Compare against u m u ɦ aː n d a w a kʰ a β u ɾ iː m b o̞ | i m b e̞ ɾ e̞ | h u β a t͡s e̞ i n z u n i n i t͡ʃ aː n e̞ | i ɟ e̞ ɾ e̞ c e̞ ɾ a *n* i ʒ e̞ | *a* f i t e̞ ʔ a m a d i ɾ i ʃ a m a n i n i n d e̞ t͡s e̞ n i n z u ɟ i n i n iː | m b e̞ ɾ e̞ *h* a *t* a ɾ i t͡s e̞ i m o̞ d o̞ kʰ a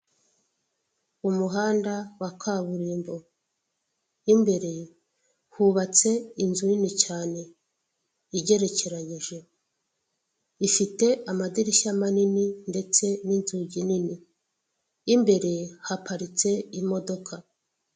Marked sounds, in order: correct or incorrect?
incorrect, incorrect, correct, incorrect

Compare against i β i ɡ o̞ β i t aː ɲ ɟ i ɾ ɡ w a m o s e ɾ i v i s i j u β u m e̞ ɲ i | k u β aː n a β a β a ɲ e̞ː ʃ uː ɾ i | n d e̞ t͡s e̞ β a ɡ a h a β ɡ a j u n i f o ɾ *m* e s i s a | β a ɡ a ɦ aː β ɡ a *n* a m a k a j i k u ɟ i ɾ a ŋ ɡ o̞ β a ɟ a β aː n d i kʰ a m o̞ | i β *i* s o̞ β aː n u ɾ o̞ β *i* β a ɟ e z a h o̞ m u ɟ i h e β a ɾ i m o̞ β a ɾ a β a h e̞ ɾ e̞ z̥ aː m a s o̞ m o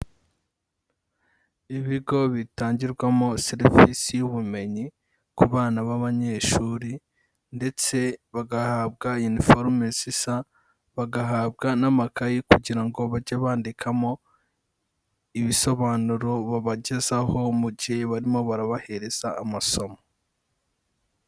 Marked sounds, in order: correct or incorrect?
correct, correct, correct, incorrect

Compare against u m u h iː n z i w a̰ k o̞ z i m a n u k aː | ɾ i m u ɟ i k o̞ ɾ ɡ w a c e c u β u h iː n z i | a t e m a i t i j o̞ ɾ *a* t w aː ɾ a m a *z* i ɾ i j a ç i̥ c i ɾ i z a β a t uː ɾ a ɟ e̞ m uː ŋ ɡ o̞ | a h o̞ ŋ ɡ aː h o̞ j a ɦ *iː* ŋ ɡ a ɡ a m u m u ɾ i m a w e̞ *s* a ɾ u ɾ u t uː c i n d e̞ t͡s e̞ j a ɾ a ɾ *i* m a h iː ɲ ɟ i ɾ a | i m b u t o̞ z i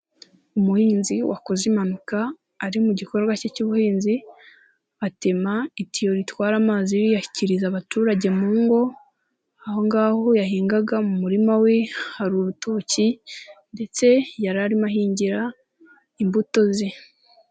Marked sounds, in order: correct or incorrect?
incorrect, correct, correct, incorrect, correct

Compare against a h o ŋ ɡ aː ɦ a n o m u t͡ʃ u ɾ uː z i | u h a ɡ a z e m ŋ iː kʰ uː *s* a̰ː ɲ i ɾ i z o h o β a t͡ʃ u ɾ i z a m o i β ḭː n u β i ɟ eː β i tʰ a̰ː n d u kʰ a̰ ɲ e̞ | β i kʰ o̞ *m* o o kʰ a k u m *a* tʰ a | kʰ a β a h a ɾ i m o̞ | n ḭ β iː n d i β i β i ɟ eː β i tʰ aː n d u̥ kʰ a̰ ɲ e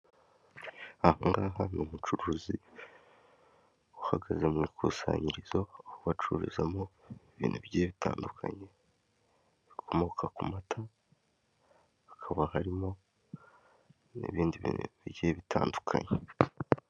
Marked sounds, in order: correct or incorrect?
correct, correct, correct

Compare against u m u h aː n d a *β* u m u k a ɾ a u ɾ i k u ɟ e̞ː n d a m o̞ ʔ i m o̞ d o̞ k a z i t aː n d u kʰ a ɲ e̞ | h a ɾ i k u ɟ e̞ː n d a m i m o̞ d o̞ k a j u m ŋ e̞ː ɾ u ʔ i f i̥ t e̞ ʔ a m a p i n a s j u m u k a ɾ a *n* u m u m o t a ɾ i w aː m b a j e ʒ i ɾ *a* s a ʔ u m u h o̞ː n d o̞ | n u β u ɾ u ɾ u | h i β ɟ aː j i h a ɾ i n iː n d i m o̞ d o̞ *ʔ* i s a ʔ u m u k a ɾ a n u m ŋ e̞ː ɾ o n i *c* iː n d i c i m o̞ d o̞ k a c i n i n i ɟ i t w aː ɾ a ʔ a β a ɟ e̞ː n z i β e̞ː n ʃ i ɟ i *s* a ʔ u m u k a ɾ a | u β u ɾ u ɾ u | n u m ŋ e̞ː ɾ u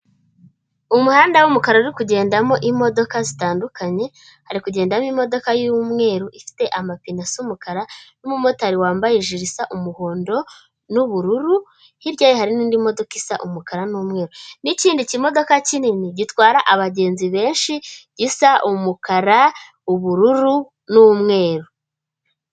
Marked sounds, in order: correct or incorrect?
incorrect, correct, incorrect, incorrect, correct, correct

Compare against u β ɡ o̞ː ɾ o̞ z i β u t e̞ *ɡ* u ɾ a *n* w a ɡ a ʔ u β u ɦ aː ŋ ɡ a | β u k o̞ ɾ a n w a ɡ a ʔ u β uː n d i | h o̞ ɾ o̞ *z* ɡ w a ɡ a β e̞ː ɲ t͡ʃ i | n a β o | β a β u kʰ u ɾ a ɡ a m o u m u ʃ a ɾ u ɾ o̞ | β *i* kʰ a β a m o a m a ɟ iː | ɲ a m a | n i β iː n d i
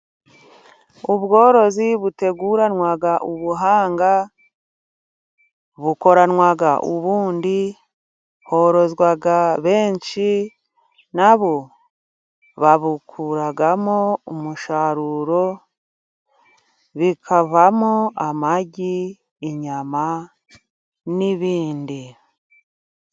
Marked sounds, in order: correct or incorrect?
correct, correct, correct, correct

